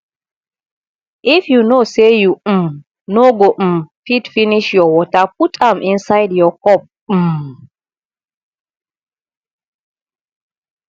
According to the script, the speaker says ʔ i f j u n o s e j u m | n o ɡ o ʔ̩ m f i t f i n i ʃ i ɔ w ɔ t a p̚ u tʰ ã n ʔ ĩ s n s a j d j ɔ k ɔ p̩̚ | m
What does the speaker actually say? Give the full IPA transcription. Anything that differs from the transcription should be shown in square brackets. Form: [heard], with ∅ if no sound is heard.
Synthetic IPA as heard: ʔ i f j u n o s e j u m | n o ɡ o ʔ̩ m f i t f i n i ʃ [j] ɔ w ɔ t a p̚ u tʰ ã [m] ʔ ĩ [∅] n s a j d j ɔ k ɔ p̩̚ | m